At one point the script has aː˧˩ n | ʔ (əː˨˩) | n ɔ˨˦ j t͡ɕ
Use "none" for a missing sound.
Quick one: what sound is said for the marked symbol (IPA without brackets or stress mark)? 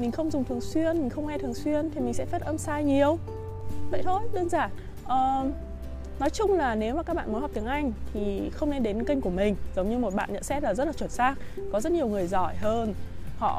əː˨˩